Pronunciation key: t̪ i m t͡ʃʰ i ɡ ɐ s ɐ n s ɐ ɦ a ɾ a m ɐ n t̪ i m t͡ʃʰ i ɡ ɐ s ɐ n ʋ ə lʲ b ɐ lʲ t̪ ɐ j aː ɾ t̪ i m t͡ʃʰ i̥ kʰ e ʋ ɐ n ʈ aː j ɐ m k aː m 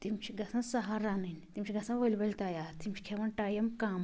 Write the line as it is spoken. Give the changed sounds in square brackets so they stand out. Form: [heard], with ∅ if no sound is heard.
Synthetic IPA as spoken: t̪ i m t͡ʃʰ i ɡ ɐ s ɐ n s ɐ ɦ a ɾ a [n] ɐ n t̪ i m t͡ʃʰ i ɡ ɐ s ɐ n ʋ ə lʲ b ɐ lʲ t̪ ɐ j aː ɾ t̪ i m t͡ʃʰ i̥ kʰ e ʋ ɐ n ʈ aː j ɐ m k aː m